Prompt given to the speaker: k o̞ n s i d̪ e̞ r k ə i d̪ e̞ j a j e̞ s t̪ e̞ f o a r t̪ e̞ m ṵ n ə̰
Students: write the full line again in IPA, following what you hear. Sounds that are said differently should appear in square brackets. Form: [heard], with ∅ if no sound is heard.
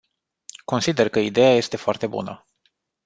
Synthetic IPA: k o̞ n s i d̪ e̞ r k ə i d̪ e̞ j a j e̞ s t̪ e̞ f o a r t̪ e̞ [b] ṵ n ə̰